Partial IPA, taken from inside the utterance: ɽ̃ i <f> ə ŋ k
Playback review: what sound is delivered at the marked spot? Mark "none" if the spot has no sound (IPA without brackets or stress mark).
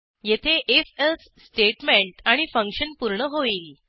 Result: f